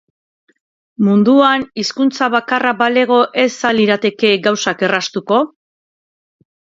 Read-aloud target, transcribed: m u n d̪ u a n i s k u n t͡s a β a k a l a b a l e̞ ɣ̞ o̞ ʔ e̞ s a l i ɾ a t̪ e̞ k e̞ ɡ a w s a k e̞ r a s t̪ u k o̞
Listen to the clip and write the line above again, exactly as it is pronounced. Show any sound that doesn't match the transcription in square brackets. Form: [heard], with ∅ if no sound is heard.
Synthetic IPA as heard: m u n d̪ u a n i s k u n t͡s a β a k a [r] a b a l e̞ ɣ̞ o̞ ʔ e̞ s a l i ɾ a t̪ e̞ k e̞ ɡ a w s a k e̞ r a s t̪ u k o̞